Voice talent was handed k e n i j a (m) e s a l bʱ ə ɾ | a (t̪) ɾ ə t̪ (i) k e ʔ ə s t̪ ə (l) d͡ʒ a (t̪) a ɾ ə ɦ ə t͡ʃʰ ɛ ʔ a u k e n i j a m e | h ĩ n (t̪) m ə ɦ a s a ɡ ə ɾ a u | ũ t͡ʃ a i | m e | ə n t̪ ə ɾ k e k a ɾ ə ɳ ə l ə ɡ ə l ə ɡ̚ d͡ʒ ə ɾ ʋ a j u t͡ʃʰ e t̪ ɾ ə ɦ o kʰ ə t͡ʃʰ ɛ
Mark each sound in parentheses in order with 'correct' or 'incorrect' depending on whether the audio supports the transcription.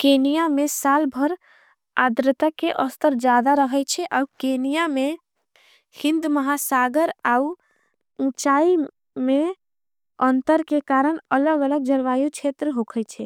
correct, incorrect: d̪, incorrect: a, incorrect: ɾ, incorrect: d̪, incorrect: d̪

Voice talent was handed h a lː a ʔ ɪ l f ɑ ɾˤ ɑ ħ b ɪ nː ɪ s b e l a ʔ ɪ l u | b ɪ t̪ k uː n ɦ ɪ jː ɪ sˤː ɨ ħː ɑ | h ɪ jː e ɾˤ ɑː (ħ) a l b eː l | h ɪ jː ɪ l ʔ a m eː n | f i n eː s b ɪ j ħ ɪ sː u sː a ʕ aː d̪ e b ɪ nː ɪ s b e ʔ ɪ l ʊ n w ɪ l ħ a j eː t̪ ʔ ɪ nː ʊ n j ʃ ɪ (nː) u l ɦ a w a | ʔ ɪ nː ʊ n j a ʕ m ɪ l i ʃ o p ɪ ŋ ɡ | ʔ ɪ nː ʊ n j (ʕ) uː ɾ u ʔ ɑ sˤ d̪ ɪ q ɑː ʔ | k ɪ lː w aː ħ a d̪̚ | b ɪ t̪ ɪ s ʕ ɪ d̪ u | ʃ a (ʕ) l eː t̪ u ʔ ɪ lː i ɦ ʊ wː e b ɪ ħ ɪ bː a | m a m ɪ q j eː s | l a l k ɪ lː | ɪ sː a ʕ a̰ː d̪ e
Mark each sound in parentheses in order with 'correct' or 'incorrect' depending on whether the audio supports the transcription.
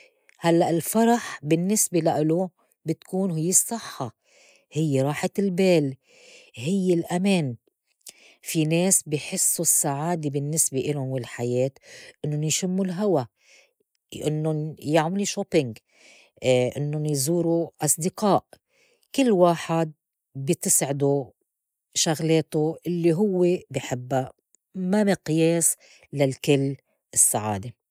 correct, incorrect: mː, incorrect: z, incorrect: ɣ

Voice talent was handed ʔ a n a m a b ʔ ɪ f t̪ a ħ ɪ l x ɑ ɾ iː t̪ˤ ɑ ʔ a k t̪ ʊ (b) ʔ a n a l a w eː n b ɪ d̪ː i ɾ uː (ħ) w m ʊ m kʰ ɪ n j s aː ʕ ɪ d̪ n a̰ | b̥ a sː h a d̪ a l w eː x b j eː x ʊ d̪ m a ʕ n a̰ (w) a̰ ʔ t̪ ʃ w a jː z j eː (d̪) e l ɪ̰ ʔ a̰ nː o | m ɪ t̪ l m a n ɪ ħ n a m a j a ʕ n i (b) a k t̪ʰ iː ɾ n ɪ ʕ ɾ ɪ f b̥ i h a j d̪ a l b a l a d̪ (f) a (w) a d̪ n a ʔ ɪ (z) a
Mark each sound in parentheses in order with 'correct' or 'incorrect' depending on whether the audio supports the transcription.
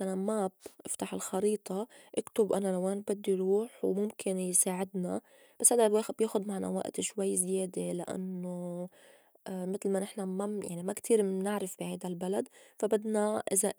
correct, correct, correct, correct, incorrect: m, correct, incorrect: b, correct

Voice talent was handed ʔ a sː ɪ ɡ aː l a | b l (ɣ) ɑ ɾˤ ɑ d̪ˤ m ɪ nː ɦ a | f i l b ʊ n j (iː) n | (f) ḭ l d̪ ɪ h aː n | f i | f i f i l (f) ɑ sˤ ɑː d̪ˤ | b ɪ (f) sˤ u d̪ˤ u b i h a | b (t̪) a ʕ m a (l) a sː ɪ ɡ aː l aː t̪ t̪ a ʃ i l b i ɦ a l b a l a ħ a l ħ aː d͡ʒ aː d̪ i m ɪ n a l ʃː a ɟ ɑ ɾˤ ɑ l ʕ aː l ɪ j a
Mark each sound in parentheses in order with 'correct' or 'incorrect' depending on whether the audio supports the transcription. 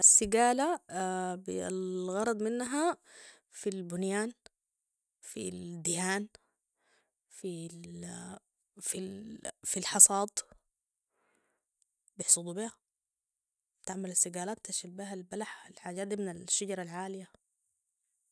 correct, incorrect: aː, correct, incorrect: ħ, incorrect: ħ, correct, correct

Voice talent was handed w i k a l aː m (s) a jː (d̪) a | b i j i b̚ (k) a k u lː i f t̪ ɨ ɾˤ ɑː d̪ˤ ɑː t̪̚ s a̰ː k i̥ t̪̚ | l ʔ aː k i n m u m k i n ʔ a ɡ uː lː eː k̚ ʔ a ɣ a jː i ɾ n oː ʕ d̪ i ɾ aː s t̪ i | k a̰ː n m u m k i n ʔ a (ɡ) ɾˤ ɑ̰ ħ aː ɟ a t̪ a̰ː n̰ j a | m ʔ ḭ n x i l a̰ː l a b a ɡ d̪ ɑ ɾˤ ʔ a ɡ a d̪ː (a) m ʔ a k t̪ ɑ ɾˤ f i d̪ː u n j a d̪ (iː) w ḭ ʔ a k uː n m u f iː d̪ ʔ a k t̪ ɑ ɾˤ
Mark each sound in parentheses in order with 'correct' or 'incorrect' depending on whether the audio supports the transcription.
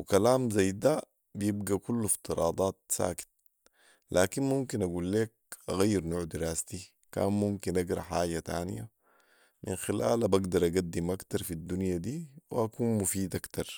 incorrect: z, correct, incorrect: ɡ, correct, incorrect: i, correct

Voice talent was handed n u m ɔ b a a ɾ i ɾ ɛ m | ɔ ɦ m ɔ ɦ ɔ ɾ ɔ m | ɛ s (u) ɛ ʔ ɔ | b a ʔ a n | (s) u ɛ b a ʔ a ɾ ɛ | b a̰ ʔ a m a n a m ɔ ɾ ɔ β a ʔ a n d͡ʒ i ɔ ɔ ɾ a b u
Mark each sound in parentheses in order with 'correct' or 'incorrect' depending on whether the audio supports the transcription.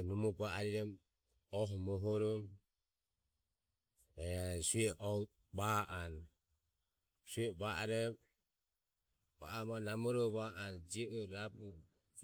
correct, correct

